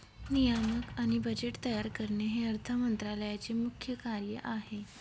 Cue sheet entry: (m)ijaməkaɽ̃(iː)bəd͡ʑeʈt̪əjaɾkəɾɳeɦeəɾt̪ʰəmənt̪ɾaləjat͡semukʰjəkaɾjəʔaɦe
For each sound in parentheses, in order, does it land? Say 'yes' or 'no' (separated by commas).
no, no